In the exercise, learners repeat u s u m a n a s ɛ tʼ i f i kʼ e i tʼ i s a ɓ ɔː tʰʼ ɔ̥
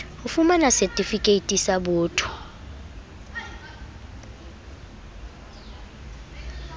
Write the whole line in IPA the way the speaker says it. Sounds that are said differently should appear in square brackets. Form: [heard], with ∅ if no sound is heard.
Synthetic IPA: u [f] u m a n a s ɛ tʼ i f i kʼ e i tʼ i s a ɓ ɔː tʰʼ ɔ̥